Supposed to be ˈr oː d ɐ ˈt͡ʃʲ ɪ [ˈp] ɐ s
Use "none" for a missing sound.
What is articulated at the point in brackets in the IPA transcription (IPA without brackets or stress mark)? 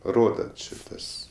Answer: t